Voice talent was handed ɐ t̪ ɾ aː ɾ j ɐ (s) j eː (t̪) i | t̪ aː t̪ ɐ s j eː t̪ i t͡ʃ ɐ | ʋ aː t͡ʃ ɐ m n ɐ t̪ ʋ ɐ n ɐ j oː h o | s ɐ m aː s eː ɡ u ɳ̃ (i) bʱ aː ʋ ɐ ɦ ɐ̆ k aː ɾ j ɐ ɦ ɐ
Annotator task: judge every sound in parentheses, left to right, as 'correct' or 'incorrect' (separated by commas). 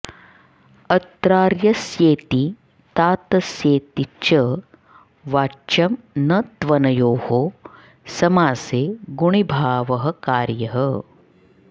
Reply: correct, correct, correct